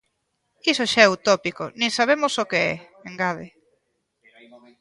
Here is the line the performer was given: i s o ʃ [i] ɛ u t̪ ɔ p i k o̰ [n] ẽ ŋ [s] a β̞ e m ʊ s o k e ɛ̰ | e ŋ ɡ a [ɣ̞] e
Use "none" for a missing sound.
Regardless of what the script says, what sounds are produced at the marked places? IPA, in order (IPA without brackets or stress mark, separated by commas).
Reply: a, n, s, ð̞